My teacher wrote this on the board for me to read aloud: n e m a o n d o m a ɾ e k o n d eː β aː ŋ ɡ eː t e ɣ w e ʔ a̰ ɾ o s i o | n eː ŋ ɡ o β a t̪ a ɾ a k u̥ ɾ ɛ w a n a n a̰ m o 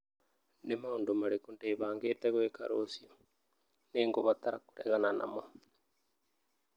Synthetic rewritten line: n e m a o n d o m a ɾ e k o n d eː β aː ŋ ɡ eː t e ɣ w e k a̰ ɾ o s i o | n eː ŋ ɡ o β a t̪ a ɾ a k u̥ ɾ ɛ ɣ a n a n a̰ m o